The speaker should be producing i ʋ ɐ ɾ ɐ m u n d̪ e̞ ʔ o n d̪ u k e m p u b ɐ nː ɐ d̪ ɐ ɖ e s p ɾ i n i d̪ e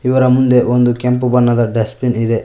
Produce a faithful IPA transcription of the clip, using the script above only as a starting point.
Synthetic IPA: i ʋ ɐ ɾ ɐ m u n d̪ e̞ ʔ o n d̪ u k e m p u b ɐ nː ɐ d̪ ɐ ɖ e s p l i n i d̪ e